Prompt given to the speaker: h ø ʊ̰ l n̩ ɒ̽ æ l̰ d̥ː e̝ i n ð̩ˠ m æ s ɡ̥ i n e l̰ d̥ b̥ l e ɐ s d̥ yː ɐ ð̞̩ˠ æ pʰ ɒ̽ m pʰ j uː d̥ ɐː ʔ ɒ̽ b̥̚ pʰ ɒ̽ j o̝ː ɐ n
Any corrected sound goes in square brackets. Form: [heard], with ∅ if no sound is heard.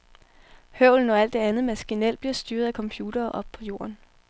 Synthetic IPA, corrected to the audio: h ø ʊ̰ l n̩ ɒ̽ æ l̰ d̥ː e̝ [æ] n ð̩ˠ m æ s ɡ̥ i n e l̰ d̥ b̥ l [i] ɐ s d̥ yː ɐ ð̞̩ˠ æ [kʰ] ɒ̽ m pʰ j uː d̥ ɐː ʔ ɒ̽ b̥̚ pʰ ɒ̽ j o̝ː ɐ n